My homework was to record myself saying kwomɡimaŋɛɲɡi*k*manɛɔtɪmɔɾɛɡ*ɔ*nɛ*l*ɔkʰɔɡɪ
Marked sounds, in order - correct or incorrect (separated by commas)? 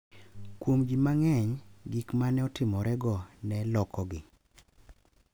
correct, correct, correct